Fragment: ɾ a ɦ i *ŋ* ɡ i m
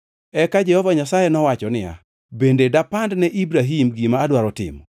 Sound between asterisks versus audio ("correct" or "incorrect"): incorrect